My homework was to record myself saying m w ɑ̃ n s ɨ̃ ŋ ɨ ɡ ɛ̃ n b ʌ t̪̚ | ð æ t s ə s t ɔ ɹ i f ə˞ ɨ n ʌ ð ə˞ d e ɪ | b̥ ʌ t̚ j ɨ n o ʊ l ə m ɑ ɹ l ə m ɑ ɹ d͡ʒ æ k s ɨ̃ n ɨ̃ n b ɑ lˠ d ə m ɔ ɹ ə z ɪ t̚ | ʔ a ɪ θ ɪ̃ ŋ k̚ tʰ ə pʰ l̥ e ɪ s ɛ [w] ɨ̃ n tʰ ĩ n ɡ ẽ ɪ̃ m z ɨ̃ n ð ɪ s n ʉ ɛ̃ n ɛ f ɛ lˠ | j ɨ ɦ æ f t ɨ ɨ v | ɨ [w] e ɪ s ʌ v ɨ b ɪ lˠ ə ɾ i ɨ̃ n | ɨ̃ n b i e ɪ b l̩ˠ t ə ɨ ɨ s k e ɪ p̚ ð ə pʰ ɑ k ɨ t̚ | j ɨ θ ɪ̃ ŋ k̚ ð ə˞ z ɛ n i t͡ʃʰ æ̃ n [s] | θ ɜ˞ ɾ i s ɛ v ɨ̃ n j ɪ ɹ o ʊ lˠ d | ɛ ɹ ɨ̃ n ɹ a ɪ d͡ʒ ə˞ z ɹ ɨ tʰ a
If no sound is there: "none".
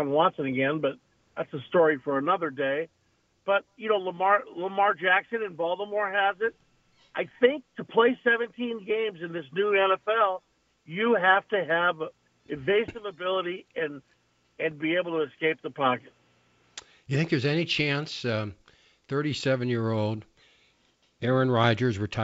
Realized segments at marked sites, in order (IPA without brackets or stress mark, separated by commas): v, v, s